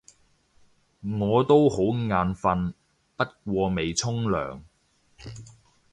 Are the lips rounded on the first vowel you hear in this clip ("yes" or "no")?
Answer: yes